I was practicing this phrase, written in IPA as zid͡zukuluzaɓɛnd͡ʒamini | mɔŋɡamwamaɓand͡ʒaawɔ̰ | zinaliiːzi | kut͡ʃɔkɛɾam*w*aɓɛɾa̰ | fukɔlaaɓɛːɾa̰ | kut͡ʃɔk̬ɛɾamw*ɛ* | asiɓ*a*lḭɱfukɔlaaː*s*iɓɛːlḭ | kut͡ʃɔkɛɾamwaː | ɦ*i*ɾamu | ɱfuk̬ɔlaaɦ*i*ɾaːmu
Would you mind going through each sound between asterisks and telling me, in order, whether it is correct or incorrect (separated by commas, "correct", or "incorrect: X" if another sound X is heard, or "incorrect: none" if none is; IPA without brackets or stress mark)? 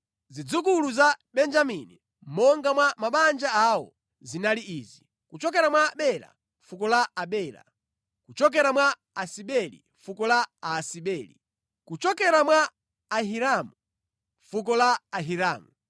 correct, incorrect: a, incorrect: ɛ, correct, correct, correct